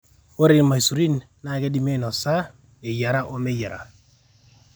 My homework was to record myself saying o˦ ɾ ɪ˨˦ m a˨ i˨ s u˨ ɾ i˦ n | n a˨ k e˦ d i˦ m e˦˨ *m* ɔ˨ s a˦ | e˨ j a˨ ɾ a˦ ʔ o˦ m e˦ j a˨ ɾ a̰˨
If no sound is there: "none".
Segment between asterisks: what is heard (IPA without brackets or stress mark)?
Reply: n